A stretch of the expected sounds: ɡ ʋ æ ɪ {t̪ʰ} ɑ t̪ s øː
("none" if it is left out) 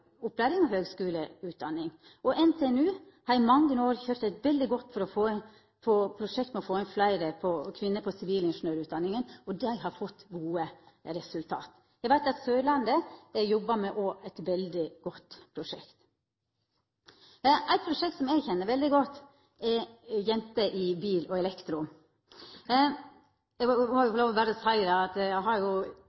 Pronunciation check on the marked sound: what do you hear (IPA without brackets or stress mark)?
t̪